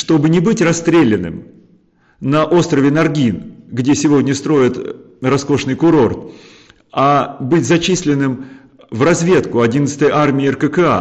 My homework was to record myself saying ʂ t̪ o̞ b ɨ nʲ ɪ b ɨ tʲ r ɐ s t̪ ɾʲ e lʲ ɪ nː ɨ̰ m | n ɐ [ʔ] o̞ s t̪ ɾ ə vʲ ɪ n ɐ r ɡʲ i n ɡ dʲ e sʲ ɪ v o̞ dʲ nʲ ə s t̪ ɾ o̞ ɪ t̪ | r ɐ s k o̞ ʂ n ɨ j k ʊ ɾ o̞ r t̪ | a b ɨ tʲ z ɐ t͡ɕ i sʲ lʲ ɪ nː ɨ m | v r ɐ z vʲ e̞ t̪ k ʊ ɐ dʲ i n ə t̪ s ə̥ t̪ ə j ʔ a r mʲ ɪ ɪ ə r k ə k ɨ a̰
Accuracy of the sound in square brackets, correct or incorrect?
correct